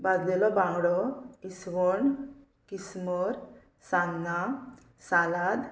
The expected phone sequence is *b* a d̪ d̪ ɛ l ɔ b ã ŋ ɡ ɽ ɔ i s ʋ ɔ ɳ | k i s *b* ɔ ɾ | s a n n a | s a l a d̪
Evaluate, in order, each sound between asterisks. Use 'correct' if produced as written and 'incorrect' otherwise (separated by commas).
correct, incorrect